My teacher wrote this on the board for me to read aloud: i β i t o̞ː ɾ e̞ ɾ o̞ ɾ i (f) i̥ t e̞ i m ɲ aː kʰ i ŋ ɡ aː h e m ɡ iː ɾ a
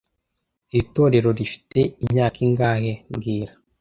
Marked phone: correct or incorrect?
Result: correct